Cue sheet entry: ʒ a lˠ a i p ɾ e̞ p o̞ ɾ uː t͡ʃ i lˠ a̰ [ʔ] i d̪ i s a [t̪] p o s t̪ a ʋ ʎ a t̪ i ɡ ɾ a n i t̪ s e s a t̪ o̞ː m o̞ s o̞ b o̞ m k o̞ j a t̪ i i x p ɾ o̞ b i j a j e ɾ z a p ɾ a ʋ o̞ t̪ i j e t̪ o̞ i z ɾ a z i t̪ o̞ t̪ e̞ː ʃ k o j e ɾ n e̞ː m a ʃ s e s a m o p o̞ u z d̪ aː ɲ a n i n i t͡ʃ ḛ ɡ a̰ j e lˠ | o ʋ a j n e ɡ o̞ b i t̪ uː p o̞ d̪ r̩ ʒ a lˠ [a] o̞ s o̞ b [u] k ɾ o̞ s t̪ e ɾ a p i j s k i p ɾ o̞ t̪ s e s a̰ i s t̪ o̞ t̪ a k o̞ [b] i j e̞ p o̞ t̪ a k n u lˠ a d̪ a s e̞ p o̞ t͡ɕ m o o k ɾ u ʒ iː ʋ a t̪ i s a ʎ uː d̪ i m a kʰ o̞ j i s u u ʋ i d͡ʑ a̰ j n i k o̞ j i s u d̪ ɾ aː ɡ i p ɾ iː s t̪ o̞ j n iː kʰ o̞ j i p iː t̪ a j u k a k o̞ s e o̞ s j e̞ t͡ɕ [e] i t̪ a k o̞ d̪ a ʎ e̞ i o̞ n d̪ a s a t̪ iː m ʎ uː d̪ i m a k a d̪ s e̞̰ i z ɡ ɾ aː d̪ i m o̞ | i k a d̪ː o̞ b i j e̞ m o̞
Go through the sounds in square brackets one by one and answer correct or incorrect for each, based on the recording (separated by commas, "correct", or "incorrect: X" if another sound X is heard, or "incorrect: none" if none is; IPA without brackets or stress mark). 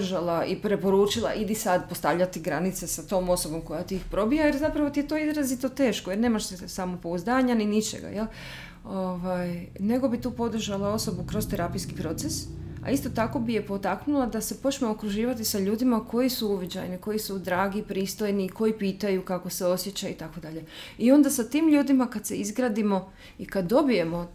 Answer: correct, incorrect: d̪, correct, correct, correct, incorrect: a